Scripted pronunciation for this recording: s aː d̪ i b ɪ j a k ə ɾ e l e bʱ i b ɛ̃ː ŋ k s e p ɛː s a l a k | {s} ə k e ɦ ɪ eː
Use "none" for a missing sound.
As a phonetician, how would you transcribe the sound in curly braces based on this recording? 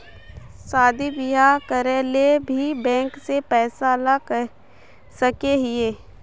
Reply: s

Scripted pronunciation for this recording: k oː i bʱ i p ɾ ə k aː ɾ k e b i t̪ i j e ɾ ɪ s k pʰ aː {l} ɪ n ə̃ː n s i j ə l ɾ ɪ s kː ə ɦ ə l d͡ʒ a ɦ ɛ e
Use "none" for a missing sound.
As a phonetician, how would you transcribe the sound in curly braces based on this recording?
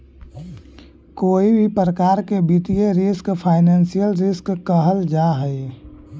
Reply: none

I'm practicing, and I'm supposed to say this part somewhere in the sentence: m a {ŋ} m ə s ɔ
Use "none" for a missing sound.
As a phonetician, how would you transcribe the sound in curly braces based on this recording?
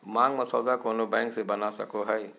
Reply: ŋ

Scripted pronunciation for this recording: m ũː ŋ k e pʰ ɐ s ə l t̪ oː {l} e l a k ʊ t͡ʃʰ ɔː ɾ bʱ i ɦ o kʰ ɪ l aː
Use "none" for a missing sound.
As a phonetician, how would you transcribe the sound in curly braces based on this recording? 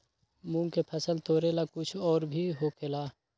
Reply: ɾ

